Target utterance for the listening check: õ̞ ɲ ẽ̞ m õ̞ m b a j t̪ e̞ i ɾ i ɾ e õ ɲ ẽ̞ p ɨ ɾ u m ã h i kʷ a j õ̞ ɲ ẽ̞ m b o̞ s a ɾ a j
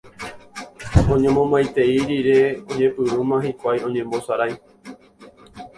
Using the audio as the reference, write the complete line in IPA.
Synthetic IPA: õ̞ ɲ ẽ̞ m õ̞ m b a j t̪ e̞ i ɾ i ɾ e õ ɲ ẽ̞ p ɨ ɾ u m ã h i kʷ a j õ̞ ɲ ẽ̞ m b o̞ s a ɾ a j